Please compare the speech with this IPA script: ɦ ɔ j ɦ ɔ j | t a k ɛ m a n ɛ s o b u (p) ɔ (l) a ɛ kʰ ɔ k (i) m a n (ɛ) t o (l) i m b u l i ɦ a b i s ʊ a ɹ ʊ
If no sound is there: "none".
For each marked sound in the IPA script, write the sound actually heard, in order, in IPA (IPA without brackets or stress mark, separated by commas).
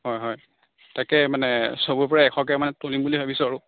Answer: p, ɹ, ɛ, ɛ, l